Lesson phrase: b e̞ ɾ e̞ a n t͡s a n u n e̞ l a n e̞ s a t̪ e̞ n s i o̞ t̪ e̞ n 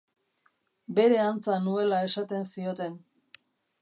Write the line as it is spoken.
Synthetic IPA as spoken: b e̞ ɾ e̞ a n t͡s a n u e̞ l a e̞ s a t̪ e̞ n s i o̞ t̪ e̞ n